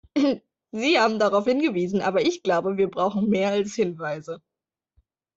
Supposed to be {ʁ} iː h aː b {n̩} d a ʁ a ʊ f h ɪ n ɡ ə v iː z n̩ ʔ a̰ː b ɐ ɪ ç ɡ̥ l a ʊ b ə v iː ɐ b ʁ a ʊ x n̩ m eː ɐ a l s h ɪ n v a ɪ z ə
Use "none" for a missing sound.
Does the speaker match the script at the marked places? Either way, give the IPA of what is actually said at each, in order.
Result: z, m̩

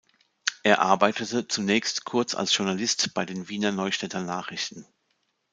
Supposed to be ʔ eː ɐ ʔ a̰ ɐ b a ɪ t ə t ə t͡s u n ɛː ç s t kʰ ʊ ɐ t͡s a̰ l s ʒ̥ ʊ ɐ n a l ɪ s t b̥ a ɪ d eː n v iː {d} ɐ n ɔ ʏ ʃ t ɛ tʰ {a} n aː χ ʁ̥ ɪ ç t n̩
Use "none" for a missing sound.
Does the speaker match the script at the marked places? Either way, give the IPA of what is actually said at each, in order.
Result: n, ɐ

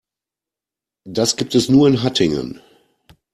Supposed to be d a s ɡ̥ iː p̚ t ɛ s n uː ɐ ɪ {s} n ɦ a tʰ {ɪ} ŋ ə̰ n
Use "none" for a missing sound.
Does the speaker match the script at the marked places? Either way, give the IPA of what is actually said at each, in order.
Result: none, ɪ

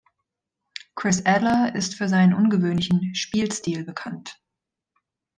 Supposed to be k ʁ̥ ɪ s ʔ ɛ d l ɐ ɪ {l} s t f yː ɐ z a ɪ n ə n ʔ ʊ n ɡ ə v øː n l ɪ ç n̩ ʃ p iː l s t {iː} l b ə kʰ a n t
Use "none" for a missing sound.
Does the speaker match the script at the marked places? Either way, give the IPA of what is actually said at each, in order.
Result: none, iː

